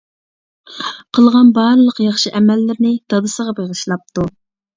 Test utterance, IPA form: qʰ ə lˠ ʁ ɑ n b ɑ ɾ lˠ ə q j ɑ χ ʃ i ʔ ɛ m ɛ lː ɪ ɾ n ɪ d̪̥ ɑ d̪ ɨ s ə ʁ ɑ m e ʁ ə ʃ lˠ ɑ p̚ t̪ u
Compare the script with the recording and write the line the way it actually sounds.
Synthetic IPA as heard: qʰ ə lˠ ʁ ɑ n b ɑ ɾ lˠ ə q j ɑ χ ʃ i ʔ ɛ m ɛ lː ɪ ɾ n ɪ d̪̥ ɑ d̪ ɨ s ə ʁ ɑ b e ʁ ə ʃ lˠ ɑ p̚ t̪ u

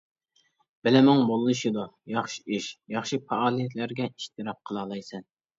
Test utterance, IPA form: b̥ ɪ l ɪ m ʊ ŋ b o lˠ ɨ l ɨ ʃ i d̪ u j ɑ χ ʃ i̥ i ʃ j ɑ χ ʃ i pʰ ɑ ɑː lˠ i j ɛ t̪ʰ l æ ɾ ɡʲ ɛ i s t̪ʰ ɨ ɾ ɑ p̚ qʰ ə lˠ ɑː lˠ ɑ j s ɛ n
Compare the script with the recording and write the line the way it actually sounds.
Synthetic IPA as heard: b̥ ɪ l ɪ m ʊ ŋ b o lˠ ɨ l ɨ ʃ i d̪ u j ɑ χ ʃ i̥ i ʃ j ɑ χ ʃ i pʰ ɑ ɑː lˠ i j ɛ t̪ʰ l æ ɾ ɡʲ ɛ i ʃ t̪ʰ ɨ ɾ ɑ p̚ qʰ ə lˠ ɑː lˠ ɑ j s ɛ n

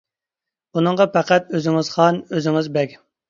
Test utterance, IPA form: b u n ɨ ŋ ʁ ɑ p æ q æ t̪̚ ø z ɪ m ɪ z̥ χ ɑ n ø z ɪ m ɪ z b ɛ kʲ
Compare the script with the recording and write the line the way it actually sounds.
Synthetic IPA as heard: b u n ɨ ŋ ʁ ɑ p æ q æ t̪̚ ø z ɪ ŋ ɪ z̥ χ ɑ n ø z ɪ ŋ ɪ z b ɛ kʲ

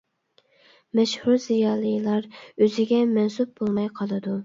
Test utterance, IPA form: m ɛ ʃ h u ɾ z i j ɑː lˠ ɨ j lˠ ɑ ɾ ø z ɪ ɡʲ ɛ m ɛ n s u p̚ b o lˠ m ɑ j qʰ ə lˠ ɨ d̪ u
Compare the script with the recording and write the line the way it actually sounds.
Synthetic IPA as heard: m ɛ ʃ h u ɾ z i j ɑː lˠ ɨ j lˠ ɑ ɾ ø z ɪ ɡʲ ɛ m ɛ n s u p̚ b o lˠ m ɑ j qʰ ɑ lˠ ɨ d̪ u

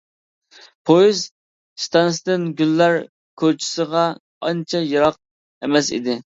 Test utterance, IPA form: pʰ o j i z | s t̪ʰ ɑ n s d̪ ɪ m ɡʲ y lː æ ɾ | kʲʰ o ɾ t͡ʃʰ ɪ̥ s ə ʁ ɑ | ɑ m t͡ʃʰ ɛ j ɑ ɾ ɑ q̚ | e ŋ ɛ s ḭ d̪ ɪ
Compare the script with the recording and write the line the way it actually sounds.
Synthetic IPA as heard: pʰ o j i z | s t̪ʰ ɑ n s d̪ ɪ n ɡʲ y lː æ ɾ | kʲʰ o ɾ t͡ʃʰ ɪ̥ s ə ʁ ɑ | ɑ n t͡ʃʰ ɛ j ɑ ɾ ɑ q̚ | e m ɛ s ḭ d̪ ɪ

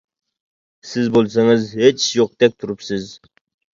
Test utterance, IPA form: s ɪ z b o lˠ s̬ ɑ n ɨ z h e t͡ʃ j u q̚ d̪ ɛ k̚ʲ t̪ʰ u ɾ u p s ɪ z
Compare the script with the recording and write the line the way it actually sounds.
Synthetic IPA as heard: s ɪ z b o lˠ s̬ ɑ ŋ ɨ z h e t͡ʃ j o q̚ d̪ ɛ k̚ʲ t̪ʰ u ɾ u p s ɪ z

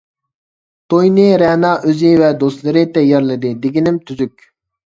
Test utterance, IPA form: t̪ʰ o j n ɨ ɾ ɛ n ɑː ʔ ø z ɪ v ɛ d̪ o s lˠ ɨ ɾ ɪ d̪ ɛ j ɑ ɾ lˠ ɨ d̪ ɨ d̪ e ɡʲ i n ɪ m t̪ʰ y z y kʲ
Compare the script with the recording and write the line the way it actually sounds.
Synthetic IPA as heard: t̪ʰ o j n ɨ ɾ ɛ n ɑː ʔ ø z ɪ v ɛ d̪ o s lˠ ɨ ɾ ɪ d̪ ɛ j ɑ ɾ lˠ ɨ d̪ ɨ d̪ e ɡʲ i n ɪ m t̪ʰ y z y kʲ

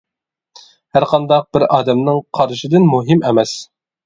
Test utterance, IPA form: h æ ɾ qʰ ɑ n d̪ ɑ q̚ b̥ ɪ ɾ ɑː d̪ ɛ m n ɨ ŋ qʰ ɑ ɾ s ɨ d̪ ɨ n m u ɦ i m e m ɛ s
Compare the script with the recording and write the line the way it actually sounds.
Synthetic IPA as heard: h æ ɾ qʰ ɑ n d̪ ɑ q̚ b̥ ɪ ɾ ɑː d̪ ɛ m n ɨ ŋ qʰ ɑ ɾ ʃ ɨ d̪ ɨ n m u ɦ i m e m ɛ s

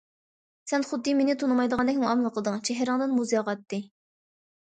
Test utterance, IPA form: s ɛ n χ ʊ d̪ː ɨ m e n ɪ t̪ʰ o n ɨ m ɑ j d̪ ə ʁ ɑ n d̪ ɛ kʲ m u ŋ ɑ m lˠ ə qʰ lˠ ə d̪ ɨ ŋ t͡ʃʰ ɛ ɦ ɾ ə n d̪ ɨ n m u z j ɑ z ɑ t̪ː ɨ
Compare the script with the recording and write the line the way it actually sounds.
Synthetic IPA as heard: s ɛ n χ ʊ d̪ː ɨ m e n ɪ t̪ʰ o n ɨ m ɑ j d̪ ə ʁ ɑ n d̪ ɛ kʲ m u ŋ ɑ m lˠ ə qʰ lˠ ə d̪ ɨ ŋ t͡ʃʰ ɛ ɦ ɾ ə ŋ d̪ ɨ n m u z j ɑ ʁ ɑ t̪ː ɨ

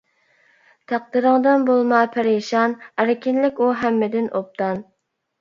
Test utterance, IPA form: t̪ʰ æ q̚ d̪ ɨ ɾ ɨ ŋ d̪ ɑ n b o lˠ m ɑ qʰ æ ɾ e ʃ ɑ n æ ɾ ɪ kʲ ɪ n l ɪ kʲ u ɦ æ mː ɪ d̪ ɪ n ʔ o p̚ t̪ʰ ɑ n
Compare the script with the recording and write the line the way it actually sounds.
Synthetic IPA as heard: t̪ʰ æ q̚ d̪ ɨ ɾ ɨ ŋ d̪ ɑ n b o lˠ m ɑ pʰ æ ɾ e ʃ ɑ n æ ɾ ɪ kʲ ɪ n l ɪ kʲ u ɦ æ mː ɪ d̪ ɪ n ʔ o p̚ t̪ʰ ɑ n

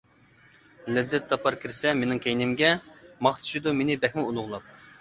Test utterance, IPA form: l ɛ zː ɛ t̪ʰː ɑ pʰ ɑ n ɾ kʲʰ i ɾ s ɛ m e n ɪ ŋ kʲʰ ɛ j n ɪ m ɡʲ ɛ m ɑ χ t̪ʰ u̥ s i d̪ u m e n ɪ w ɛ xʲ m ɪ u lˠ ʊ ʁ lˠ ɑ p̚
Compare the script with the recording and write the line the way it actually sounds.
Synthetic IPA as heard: l ɛ zː ɛ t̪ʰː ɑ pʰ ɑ ɾ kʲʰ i ɾ s ɛ m e n ɪ ŋ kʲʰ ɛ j n ɪ m ɡʲ ɛ m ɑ χ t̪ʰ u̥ ʃ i d̪ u m e n ɪ b ɛ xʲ m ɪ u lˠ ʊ ʁ lˠ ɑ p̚

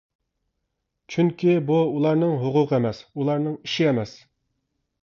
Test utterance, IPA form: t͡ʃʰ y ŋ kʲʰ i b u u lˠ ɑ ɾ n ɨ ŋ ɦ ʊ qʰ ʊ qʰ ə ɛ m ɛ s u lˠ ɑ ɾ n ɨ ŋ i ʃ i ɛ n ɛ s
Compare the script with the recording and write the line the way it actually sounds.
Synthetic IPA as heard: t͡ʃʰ y ŋ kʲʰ i b u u lˠ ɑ ɾ n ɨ ŋ ɦ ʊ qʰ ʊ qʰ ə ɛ m ɛ s u lˠ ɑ ɾ n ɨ ŋ i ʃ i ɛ m ɛ s

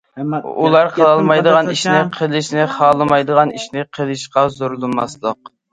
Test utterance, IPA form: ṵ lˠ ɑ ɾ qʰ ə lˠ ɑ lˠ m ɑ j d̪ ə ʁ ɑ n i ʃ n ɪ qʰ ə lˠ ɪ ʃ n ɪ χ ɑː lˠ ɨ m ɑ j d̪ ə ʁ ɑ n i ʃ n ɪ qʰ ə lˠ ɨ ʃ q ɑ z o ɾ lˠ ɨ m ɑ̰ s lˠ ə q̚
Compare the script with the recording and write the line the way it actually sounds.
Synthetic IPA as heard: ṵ lˠ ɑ ɾ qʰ ə lˠ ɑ lˠ m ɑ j d̪ ə ʁ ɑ n i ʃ n ɪ qʰ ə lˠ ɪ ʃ n ɪ χ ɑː lˠ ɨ m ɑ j d̪ ə ʁ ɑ n i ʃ n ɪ qʰ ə lˠ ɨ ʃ q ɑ z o ɾ lˠ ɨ m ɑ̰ s lˠ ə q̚

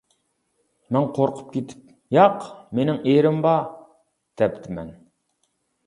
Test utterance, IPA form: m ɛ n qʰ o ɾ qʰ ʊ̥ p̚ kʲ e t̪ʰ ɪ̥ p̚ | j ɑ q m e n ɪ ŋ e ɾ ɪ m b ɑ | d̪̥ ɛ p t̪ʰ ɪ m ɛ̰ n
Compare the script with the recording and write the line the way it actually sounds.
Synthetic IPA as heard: m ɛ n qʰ o ɾ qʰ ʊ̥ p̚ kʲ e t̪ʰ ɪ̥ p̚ | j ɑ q m e n ɪ ŋ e ɾ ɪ m b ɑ | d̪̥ ɛ p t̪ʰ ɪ m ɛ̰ n

